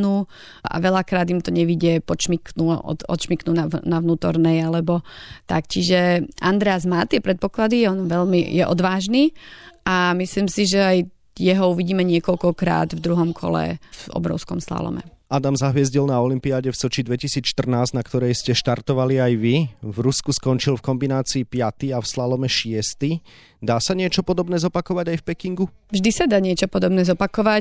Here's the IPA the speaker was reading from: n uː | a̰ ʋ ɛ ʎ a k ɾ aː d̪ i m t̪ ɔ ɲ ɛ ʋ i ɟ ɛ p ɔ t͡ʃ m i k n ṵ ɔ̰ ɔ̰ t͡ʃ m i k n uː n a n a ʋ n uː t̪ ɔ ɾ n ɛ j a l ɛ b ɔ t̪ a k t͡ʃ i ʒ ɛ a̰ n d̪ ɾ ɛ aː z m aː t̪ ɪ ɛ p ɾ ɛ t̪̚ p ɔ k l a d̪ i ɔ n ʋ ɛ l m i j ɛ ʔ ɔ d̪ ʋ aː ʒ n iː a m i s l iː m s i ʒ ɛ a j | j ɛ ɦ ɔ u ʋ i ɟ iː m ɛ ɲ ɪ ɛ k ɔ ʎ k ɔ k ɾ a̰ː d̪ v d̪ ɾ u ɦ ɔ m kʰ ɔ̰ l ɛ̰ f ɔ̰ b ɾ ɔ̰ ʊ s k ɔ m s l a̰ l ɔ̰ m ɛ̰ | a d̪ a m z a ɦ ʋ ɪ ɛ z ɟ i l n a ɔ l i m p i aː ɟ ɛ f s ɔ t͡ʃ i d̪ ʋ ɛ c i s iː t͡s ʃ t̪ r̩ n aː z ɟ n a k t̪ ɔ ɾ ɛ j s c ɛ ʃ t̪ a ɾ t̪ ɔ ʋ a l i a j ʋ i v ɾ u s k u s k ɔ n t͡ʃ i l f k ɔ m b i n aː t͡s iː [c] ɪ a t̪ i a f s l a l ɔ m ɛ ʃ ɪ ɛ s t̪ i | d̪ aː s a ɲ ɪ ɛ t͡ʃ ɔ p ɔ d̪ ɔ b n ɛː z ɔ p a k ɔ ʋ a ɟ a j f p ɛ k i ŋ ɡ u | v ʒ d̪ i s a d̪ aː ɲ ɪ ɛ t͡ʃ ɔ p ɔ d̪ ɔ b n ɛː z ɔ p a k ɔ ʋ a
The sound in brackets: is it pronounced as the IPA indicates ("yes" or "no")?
no